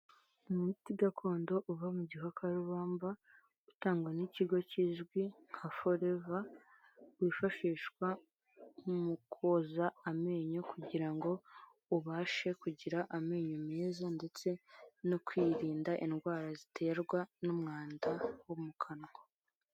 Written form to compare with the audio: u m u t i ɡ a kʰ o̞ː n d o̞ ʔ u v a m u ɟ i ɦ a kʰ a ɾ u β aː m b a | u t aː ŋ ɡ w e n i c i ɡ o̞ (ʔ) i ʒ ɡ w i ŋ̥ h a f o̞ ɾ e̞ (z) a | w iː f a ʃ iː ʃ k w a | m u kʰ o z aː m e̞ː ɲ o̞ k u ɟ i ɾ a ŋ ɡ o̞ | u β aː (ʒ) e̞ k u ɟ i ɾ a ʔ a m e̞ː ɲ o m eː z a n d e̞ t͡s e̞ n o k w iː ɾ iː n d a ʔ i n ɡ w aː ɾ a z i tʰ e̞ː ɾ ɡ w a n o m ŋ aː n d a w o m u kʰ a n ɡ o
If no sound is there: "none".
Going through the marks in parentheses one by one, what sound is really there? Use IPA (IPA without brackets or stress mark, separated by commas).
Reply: c, v, ʃ